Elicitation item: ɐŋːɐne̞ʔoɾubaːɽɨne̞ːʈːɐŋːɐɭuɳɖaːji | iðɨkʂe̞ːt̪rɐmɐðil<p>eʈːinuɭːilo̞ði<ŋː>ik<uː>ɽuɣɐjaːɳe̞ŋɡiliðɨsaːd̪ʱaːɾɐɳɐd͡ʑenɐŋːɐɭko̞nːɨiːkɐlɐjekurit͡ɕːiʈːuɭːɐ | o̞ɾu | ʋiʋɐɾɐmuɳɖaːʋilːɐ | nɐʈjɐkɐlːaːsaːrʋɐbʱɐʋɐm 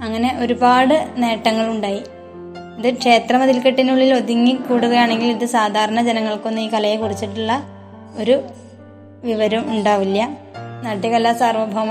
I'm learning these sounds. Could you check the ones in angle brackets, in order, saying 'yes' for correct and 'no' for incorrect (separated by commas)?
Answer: no, yes, yes